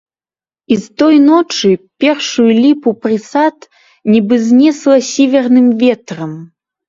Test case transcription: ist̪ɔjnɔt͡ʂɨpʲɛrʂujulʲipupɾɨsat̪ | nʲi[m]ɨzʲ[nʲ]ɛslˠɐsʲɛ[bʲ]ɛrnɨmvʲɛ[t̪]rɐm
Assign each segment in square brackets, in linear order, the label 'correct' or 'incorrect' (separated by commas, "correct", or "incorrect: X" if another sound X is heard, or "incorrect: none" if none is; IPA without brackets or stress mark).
incorrect: b, correct, incorrect: vʲ, correct